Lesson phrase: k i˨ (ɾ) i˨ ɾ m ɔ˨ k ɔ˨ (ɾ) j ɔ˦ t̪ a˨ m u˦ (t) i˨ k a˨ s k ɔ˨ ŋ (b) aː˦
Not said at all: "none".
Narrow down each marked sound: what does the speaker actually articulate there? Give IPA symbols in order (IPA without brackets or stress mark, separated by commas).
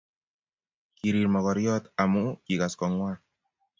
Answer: ɾ, ɾ, k, w